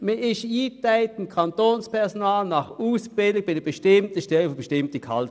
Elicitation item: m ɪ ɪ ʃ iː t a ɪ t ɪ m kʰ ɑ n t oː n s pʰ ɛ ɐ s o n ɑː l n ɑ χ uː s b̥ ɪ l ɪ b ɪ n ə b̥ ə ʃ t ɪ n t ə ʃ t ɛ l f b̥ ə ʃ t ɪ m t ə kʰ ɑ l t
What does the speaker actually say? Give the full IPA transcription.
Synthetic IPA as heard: m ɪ ɪ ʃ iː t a ɪ t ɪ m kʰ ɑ n t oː n s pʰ ɛ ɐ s o n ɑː l n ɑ χ uː s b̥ ɪ l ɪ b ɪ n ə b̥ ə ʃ t ɪ m t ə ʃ t ɛ l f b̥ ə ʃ t ɪ m t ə kʰ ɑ l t